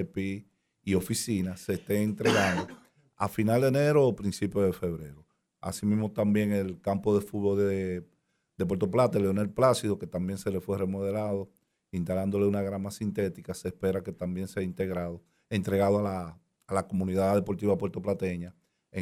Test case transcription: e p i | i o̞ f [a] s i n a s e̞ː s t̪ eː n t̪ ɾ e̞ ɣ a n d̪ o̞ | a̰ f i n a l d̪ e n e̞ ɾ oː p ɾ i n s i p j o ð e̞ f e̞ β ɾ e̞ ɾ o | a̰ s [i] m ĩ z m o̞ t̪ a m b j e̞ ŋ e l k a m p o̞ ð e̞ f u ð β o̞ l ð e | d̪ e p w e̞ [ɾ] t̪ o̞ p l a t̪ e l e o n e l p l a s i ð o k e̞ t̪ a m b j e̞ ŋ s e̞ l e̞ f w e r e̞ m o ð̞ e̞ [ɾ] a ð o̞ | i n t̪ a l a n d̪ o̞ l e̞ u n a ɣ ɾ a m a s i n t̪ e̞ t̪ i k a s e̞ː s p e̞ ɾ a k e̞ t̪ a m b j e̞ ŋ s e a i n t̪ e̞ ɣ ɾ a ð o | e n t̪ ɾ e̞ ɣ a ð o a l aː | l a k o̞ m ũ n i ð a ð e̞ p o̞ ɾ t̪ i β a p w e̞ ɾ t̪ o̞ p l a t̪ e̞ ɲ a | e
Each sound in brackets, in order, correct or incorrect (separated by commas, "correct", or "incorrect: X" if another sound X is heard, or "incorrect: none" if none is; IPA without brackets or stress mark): incorrect: i, correct, correct, incorrect: l